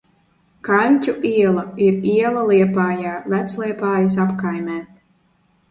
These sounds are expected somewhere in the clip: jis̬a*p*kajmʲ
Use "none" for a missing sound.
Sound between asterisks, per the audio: p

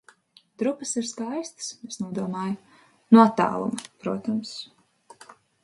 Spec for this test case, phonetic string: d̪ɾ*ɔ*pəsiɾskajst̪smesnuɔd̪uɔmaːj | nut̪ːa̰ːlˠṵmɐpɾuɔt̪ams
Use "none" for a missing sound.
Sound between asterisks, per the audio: u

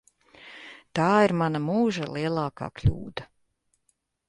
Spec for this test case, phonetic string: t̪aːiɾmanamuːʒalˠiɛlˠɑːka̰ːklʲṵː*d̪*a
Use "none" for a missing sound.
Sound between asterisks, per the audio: d̪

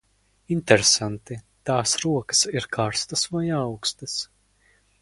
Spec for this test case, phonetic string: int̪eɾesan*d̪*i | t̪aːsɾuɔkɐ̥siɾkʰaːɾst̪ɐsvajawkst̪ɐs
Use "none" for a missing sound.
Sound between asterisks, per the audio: t̪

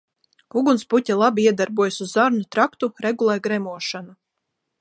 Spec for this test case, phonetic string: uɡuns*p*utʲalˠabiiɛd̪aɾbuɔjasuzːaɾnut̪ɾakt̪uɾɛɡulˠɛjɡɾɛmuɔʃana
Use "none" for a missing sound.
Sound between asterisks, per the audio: p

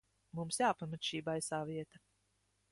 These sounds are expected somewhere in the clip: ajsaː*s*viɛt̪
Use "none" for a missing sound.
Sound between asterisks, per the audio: none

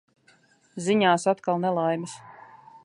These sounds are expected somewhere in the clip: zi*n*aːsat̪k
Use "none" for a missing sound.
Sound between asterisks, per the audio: ɲ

